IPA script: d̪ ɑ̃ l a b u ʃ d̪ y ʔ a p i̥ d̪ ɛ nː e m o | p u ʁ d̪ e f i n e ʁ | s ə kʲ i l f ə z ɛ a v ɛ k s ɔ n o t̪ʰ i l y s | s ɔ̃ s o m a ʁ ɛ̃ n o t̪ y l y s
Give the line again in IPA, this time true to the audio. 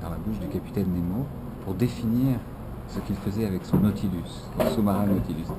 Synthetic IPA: d̪ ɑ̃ l a b u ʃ d̪ y k a p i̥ t̪ ɛ nː e m o | p u ʁ d̪ e f i n i ʁ | s ə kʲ i l f ə z ɛ a v ɛ k s ɔ̃ n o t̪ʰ i l y s | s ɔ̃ s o m a ʁ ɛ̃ n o t̪ i l y s

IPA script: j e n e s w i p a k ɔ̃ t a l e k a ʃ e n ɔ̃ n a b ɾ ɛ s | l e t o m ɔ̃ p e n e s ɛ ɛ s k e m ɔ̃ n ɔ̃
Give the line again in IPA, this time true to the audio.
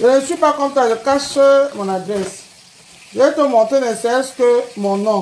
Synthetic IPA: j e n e s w i p a k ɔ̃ t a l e k a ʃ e m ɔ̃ n a d ɾ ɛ s | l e t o m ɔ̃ t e n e s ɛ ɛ s k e m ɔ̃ n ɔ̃

